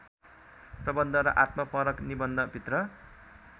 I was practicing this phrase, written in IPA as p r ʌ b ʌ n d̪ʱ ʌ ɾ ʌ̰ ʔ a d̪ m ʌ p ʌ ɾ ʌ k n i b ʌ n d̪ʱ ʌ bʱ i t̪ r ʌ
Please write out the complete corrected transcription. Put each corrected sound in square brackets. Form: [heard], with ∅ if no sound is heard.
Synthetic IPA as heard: p r ʌ b ʌ n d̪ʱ ʌ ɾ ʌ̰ ʔ a [t̪] m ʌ p ʌ ɾ ʌ k n i b ʌ n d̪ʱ ʌ bʱ i t̪ r ʌ